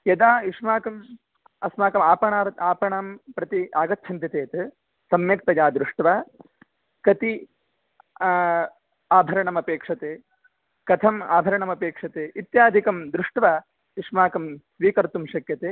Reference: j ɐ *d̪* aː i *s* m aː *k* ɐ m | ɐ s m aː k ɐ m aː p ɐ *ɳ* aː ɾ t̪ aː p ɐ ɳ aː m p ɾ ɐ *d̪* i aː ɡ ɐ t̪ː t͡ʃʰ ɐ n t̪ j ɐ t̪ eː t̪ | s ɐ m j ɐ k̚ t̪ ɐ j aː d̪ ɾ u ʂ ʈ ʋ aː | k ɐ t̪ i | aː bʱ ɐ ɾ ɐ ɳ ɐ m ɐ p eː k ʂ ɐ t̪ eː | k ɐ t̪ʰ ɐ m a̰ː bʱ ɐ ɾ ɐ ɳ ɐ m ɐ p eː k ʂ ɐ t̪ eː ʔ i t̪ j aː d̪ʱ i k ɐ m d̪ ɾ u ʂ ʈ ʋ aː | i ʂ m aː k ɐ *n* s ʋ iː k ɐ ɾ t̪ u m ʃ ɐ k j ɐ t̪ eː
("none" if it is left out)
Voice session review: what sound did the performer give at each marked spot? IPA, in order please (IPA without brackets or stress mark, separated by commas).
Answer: d̪, ʂ, k, ɳ, t̪, m